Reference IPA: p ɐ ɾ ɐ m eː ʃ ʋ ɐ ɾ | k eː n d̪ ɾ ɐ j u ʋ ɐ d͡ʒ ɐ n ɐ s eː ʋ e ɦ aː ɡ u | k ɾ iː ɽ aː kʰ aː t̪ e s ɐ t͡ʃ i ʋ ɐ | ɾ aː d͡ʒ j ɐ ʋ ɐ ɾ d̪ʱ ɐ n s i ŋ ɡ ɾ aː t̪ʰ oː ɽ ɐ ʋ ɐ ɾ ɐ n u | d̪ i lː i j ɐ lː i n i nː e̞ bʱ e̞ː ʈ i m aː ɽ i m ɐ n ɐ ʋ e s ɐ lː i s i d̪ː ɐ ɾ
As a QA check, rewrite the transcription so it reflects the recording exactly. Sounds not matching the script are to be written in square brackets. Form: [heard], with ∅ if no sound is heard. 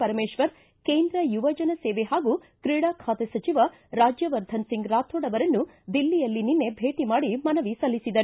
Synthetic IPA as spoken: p ɐ ɾ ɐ m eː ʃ ʋ ɐ ɾ | k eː n d̪ ɾ ɐ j u ʋ ɐ d͡ʒ ɐ n ɐ s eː ʋ e ɦ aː ɡ u | k ɾ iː ɽ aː kʰ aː t̪ e s ɐ t͡ʃ i ʋ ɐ | ɾ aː d͡ʒ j ɐ ʋ ɐ ɾ d̪ʱ ɐ n s i ŋ ɡ ɾ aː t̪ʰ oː ɽ ɐ ʋ ɐ ɾ ɐ [nː] u | d̪ i lː i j ɐ lː i n i nː e̞ bʱ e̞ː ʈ i m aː ɽ i m ɐ n ɐ ʋ [i] s ɐ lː i s i [d̪] ɐ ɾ